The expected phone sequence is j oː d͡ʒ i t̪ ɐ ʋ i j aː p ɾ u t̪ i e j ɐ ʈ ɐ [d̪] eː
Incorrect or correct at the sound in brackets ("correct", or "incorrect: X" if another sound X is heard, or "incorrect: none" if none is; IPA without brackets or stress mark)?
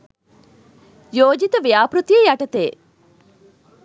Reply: incorrect: t̪